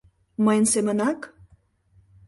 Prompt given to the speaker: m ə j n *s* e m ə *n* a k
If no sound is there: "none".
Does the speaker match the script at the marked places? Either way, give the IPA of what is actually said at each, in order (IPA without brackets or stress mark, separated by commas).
s, n